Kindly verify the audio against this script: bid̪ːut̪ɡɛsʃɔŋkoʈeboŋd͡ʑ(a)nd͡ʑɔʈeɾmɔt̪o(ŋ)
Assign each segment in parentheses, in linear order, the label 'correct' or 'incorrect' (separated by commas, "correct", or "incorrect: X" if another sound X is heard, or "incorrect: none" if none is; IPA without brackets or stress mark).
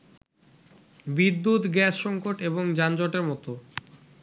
correct, incorrect: none